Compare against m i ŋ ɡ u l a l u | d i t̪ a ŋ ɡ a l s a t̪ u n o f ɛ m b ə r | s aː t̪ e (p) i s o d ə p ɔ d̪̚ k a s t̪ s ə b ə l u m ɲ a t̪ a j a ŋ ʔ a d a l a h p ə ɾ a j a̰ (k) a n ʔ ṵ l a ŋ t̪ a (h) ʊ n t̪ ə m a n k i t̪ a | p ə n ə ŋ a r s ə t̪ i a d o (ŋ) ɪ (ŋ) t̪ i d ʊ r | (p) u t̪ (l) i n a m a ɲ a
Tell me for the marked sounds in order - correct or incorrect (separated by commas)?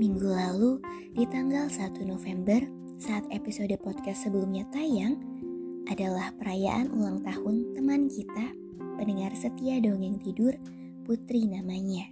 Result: correct, incorrect, correct, correct, correct, correct, incorrect